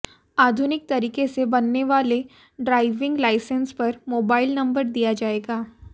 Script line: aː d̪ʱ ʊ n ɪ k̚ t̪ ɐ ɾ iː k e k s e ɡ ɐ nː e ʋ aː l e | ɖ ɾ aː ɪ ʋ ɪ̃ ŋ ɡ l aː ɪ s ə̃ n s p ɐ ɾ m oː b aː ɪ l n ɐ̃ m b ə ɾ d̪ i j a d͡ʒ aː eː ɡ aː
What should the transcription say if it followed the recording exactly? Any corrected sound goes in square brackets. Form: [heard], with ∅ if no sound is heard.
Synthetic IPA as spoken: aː d̪ʱ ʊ n ɪ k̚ t̪ ɐ ɾ iː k e [∅] s e [b] ɐ nː e ʋ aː l e | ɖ ɾ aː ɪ ʋ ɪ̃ ŋ ɡ l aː ɪ s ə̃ n s p ɐ ɾ m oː b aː ɪ l n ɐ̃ m b ə ɾ d̪ i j a d͡ʒ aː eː ɡ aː